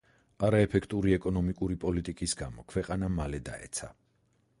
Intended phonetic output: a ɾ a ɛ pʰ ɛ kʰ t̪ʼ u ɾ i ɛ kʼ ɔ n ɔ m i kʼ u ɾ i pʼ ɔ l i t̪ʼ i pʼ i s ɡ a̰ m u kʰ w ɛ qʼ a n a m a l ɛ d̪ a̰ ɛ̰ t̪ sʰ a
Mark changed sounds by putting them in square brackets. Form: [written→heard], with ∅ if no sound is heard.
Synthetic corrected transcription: a ɾ a ɛ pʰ ɛ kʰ t̪ʼ u ɾ i ɛ kʼ ɔ n ɔ m i kʼ u ɾ i pʼ ɔ l i t̪ʼ i [pʼ→kʼ] i s ɡ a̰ m [u→ɔ] kʰ w ɛ qʼ a n a m a l ɛ d̪ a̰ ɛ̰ t̪ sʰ a